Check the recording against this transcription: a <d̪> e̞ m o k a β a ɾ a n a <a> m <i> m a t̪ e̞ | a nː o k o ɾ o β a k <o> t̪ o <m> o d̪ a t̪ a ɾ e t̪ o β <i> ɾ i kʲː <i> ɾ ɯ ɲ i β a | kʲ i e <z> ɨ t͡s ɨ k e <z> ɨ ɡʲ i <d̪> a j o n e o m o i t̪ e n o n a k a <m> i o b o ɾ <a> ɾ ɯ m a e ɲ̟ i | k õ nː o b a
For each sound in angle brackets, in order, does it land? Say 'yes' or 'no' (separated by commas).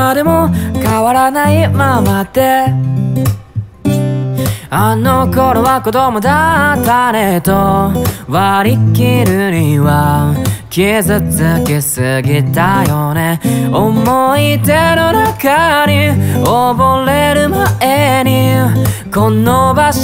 yes, no, no, yes, yes, no, yes, yes, no, no, no, no